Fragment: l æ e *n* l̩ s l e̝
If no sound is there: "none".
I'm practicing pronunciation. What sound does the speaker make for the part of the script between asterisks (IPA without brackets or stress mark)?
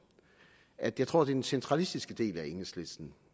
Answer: ŋ